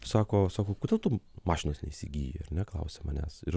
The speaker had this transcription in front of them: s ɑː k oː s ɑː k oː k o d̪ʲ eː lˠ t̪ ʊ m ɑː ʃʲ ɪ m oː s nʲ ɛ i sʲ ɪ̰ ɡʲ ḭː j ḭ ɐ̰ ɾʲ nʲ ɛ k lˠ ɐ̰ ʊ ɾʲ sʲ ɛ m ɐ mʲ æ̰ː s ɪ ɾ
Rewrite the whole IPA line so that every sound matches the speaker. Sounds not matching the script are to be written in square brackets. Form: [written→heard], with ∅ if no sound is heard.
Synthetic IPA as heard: s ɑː k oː s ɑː k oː k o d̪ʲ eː lˠ t̪ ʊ m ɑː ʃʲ ɪ [m→n] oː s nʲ ɛ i sʲ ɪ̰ ɡʲ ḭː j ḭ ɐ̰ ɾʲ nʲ ɛ k lˠ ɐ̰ ʊ [ɾʲ→∅] sʲ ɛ m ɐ [mʲ→nʲ] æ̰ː s ɪ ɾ